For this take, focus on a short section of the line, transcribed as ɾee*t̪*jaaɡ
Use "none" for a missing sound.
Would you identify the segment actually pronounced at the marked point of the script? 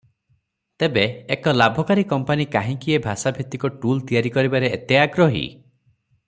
t̪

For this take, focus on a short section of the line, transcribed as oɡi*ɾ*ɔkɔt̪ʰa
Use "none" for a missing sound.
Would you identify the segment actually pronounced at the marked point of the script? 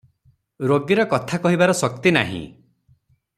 ɾ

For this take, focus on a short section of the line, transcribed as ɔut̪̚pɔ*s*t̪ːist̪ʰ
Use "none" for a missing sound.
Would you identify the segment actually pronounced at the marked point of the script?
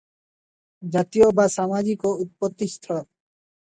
none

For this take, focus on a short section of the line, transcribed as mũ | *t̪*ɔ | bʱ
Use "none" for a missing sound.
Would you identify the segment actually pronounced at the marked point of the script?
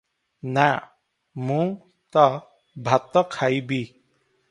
t̪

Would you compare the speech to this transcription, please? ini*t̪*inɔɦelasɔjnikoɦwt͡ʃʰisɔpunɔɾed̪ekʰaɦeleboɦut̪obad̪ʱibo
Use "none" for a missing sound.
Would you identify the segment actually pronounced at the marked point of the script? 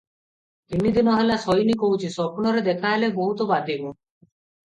d̪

